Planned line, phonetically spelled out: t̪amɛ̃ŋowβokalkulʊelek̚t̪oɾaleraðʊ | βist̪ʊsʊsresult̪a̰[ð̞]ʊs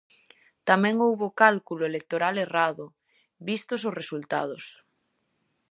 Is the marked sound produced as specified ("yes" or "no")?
yes